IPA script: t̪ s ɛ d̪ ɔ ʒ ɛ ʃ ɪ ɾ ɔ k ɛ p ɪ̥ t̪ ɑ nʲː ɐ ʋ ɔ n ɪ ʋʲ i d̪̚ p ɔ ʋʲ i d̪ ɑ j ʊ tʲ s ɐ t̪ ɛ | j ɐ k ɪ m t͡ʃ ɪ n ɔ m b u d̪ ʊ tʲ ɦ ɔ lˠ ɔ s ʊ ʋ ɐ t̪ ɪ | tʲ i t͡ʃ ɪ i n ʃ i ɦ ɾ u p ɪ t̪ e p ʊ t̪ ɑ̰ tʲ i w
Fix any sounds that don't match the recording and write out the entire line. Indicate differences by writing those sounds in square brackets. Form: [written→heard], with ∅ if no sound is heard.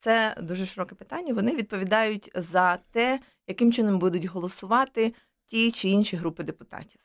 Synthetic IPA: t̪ s ɛ d̪ [ɔ→u] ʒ ɛ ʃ ɪ ɾ ɔ k ɛ p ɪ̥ t̪ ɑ nʲː ɐ ʋ ɔ n ɪ ʋʲ i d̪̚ p ɔ ʋʲ i d̪ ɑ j ʊ tʲ [s→z] ɐ t̪ ɛ | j ɐ k ɪ m t͡ʃ ɪ n ɔ m b u d̪ ʊ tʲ ɦ ɔ lˠ ɔ s ʊ ʋ [ɐ→ɑ] t̪ ɪ | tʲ i t͡ʃ ɪ i n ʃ i ɦ ɾ u p ɪ [t̪→d̪] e p ʊ t̪ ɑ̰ tʲ i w